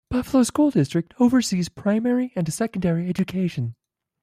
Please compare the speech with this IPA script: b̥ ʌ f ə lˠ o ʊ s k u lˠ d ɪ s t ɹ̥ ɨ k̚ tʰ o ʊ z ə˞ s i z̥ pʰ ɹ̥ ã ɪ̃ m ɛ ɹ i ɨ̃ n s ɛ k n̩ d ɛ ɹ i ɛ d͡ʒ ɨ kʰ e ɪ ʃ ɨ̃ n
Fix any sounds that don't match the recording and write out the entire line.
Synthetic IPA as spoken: b̥ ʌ f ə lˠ o ʊ s k u lˠ d ɪ s t ɹ̥ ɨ k̚ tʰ o ʊ v ə˞ s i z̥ pʰ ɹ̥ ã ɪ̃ m ɛ ɹ i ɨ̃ n s ɛ k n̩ d ɛ ɹ i ɛ d͡ʒ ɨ kʰ e ɪ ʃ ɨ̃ n